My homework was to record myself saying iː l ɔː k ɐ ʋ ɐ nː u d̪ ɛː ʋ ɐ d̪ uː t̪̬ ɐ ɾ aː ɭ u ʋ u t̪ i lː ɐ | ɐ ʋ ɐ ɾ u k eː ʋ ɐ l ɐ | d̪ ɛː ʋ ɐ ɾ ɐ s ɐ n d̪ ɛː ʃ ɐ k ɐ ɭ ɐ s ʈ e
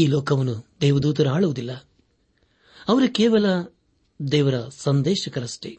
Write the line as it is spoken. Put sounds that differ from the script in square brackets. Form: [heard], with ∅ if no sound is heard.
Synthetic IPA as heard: iː l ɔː k ɐ ʋ ɐ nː u d̪ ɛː ʋ ɐ d̪ uː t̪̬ ɐ ɾ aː ɭ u ʋ u [d̪] i lː ɐ | ɐ ʋ ɐ ɾ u k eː ʋ ɐ l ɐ | d̪ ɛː ʋ ɐ ɾ ɐ s ɐ n d̪ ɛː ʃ ɐ k ɐ [ɾ] ɐ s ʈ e